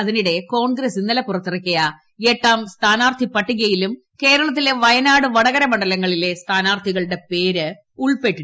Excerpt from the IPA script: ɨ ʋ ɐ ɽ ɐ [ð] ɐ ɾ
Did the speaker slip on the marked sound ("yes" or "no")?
yes